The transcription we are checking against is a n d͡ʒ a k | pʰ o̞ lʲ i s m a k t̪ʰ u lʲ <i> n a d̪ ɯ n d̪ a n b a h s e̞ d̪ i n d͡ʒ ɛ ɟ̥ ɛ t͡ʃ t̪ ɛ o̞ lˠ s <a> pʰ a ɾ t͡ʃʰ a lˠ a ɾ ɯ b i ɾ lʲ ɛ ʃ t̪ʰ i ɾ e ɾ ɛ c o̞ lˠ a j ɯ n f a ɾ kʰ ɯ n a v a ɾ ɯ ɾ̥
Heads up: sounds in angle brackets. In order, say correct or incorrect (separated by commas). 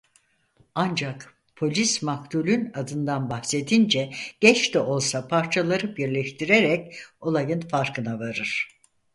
incorrect, correct